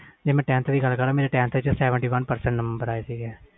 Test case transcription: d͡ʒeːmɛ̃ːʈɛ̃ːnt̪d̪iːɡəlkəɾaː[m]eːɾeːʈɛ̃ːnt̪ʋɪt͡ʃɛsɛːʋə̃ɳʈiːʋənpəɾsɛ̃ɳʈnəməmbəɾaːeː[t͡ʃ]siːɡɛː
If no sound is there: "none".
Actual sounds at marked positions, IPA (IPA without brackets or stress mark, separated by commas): m, none